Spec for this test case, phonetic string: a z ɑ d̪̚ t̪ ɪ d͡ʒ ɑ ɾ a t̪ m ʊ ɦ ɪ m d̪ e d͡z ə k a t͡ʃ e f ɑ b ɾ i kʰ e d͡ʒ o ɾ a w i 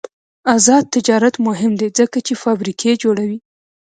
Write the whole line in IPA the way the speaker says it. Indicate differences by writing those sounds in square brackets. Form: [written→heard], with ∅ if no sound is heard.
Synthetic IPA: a z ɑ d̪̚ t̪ ɪ d͡ʒ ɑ ɾ a t̪ m ʊ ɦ ɪ m d̪ e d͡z ə k a t͡ʃ e f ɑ b ɾ i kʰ e d͡ʒ o [ɾ→ɽ] a w i